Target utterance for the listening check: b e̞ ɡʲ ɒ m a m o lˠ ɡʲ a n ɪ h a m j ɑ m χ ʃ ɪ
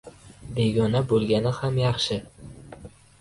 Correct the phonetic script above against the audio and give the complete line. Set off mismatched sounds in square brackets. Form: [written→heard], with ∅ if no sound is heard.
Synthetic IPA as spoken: b e̞ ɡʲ ɒ [m→n] a [m→b] o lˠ ɡʲ a n ɪ h a m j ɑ [m→∅] χ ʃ ɪ